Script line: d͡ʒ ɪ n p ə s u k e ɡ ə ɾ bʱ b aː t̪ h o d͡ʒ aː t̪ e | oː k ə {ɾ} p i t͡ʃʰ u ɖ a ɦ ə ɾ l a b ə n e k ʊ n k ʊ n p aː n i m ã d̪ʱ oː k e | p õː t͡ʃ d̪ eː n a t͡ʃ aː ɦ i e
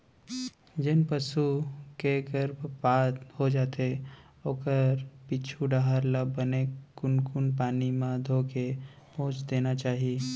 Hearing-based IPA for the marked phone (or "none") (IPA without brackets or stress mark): ɾ